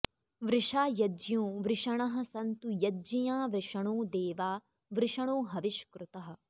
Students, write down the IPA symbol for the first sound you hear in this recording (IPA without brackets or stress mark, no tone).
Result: ʋ